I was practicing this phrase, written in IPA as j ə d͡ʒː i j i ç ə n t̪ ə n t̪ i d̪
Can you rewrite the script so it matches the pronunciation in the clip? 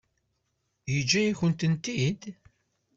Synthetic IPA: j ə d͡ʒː æ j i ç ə n t̪ ə n t̪ i d̪